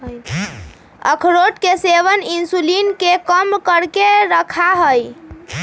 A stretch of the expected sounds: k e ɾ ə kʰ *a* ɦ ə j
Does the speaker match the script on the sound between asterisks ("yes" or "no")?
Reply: yes